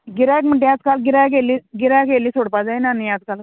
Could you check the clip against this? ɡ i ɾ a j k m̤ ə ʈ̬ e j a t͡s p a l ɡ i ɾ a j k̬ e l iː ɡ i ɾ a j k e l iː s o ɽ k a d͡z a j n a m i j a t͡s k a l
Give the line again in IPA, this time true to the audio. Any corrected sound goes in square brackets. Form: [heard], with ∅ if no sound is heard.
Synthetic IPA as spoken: ɡ i ɾ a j k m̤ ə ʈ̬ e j a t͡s [k] a l ɡ i ɾ a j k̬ e l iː ɡ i ɾ a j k e l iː s o ɽ [p] a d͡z a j n a [n] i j a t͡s k a l